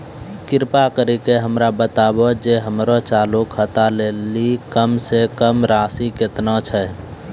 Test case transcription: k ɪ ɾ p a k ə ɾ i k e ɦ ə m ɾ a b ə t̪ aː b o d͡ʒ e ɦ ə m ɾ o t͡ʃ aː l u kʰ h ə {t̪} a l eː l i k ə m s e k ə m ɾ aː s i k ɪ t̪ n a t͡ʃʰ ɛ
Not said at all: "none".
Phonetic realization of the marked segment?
t̪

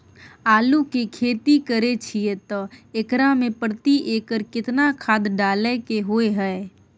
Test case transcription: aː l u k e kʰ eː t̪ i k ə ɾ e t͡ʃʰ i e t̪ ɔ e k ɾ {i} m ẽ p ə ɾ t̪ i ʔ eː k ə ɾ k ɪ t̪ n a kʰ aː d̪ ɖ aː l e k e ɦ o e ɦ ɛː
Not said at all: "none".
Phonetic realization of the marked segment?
a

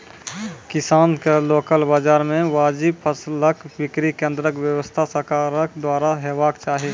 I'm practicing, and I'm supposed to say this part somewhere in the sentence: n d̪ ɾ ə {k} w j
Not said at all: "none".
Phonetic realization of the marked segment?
k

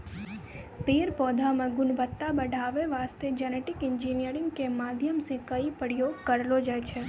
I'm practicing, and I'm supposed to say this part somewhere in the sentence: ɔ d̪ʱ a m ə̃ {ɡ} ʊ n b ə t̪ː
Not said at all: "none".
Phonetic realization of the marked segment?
ɡ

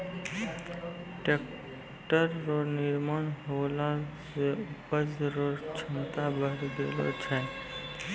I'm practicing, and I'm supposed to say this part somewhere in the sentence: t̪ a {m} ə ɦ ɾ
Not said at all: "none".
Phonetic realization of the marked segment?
b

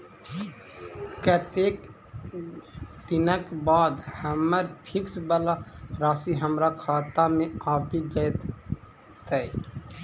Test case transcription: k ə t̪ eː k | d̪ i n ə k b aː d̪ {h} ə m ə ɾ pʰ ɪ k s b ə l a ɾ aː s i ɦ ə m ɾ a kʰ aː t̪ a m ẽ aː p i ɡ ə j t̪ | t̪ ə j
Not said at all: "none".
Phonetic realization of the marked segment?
h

